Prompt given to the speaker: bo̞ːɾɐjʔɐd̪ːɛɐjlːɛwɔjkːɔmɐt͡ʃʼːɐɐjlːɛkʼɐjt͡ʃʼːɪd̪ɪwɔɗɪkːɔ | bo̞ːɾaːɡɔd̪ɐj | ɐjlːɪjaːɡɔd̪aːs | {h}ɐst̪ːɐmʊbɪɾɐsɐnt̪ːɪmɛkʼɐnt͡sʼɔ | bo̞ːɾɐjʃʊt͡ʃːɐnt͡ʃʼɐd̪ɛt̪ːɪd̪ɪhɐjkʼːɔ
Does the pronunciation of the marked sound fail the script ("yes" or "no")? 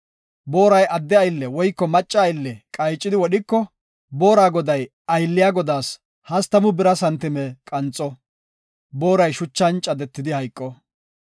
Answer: no